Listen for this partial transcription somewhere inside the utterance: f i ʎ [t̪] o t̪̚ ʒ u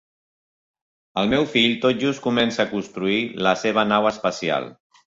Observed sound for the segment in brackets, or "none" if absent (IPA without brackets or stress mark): t̪